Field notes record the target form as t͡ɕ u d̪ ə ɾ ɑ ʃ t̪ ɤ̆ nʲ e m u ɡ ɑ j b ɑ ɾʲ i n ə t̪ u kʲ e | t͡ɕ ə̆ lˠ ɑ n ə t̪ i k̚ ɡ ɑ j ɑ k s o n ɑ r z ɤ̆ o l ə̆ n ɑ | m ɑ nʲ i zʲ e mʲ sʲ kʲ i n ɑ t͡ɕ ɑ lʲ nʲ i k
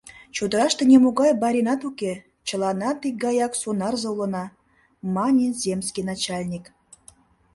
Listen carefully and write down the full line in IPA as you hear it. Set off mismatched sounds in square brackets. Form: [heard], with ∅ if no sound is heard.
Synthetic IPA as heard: t͡ɕ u d̪ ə ɾ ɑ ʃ t̪ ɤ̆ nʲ e m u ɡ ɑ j b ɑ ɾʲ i n [ɑ] t̪ u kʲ e | t͡ɕ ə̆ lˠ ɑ n [ɑ] t̪ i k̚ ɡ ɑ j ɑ k s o n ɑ r z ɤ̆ [u] l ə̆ n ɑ | m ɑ nʲ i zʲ e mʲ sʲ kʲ i n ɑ t͡ɕ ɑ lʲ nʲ i k

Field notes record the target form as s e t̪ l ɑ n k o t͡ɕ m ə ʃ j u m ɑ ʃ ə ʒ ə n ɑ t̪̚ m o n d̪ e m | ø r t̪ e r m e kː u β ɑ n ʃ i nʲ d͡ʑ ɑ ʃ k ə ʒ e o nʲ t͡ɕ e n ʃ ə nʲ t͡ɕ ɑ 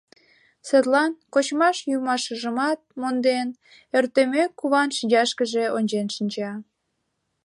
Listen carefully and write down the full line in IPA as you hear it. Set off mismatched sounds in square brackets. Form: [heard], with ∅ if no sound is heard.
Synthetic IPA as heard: s e t̪ l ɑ n k o t͡ɕ m [ɑ] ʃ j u m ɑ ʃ ə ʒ ə [m] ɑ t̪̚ m o n d̪ e [n] | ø r t̪ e [∅] m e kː u β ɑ n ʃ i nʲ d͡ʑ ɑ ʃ k ə ʒ e o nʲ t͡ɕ e n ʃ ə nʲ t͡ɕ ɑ

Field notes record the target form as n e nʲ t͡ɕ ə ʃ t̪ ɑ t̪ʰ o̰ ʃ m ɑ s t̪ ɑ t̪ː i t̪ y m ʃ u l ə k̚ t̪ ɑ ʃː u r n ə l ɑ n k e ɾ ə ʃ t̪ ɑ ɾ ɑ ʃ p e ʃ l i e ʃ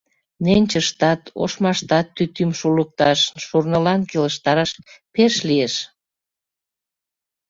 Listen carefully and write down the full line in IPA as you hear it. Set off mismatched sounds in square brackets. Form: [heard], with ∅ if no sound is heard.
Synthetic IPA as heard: n e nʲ t͡ɕ ə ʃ t̪ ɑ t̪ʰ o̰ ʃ m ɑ [ʃ] t̪ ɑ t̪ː [y] t̪ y m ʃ u l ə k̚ t̪ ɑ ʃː u r n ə l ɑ n k e [l] ə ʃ t̪ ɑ ɾ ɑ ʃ p e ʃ l i e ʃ

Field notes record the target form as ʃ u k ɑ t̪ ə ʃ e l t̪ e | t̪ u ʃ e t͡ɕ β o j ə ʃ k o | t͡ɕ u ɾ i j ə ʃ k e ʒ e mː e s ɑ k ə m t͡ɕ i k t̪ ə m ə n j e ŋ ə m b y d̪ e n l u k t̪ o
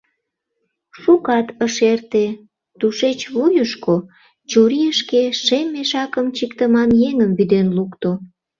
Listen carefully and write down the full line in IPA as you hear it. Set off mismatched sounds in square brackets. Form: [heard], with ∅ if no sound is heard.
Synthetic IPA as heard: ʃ u k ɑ t̪ ə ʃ e [r] t̪ e | t̪ u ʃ e t͡ɕ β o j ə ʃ k o | t͡ɕ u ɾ i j ə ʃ k e [ʃ] e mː e [ʃ] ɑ k ə m t͡ɕ i k t̪ ə m [ɑ] n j e ŋ ə m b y d̪ e n l u k t̪ o

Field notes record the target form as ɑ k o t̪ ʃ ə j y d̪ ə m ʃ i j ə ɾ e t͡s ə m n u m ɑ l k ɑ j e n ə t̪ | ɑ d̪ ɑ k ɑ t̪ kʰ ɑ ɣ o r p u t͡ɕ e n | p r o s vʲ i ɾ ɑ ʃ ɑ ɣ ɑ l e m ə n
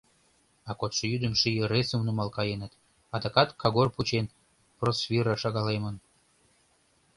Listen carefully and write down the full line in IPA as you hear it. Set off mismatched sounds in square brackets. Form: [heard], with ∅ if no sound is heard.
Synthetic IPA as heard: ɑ k o t̪ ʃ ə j y d̪ ə m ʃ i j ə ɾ e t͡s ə m n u m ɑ l k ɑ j e n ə t̪ | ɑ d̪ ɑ k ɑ t̪ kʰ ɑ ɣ o r p u t͡ɕ e n | p r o s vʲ i ɾ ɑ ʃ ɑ ɣ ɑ l e m ə n

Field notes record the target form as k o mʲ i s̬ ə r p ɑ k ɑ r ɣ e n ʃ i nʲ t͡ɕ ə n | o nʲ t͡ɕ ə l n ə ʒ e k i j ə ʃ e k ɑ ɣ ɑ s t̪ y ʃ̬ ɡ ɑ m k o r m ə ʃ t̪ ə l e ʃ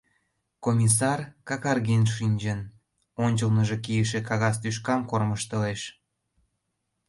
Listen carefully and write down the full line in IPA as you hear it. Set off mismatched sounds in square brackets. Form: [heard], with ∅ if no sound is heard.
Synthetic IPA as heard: k o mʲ i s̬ [ɑ] r [k] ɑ k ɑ r ɣ e n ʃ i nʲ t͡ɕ ə n | o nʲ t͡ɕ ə l n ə ʒ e k i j ə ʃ e k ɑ ɣ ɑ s t̪ y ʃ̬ [k] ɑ m k o r m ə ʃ t̪ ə l e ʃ

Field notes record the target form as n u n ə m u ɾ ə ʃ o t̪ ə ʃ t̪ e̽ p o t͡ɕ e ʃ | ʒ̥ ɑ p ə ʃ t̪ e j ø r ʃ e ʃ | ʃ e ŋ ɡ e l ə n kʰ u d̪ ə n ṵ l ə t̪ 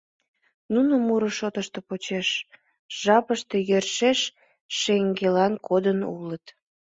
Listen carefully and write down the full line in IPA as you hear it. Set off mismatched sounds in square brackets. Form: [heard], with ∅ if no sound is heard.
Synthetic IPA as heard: n u n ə m u ɾ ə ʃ o t̪ ə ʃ t̪ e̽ p o t͡ɕ e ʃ | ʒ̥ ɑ p ə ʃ t̪ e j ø r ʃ e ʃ | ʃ e ŋ ɡ e l [ɑ] n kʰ [o] d̪ ə n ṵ l ə t̪

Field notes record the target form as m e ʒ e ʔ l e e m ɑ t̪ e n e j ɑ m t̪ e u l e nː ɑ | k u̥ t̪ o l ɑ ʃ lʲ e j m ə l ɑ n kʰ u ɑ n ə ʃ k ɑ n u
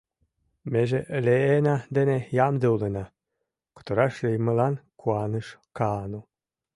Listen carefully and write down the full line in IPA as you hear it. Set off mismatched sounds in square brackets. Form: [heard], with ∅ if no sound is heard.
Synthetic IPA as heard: m e ʒ e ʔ l e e [n] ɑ [d̪] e n e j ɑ m [d̪] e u l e [n] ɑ | k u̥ t̪ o [ɾ] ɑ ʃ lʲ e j m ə l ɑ n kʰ u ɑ n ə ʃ k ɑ n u

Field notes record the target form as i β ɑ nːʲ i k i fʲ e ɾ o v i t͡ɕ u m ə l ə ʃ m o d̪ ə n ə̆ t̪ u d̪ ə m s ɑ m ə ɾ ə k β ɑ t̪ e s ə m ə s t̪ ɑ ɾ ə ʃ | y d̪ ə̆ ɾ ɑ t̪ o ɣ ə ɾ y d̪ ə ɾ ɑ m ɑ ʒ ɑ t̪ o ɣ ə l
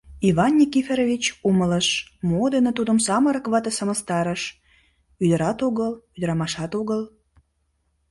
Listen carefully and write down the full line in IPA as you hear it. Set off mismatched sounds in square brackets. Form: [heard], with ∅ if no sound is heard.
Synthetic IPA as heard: i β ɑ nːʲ i k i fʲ e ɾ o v i t͡ɕ u m ə l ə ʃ m o d̪ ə n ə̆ t̪ u d̪ ə m s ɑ m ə ɾ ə k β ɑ t̪ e s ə m ə s t̪ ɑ ɾ ə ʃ | y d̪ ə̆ ɾ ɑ t̪ o ɣ ə [l] y d̪ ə ɾ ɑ m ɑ [ʃ] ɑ t̪ o ɣ ə l

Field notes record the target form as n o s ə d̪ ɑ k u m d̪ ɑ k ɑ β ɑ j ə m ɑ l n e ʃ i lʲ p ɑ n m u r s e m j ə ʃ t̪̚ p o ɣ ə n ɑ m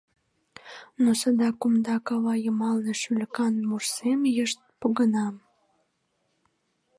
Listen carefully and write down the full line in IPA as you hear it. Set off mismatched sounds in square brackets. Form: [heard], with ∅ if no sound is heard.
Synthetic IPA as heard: n o s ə d̪ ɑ k u m d̪ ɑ k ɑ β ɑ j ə m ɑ l n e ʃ [y] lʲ [k] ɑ n m u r s e m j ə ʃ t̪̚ p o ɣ ə n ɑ m

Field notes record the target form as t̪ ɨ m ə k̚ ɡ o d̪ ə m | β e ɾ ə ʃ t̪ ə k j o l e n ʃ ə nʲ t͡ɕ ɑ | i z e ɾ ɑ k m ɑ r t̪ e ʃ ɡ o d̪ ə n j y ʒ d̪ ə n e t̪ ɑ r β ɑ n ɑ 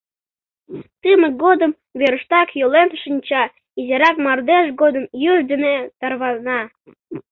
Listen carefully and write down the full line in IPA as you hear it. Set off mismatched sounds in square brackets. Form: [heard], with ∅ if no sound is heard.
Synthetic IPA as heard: t̪ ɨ m ə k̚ ɡ o d̪ ə m | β e ɾ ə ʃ t̪ [ɑ] k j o l e n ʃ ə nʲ t͡ɕ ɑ | i z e ɾ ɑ k m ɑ r [d̪] e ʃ ɡ o d̪ ə [m] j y ʒ d̪ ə n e t̪ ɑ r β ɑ n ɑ

